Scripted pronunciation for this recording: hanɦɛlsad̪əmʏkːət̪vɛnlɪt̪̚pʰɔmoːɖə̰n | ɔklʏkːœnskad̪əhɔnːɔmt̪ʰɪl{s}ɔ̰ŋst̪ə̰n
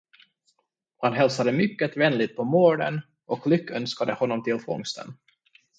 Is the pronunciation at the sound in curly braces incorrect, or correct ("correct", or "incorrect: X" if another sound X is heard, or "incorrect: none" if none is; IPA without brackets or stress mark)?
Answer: incorrect: f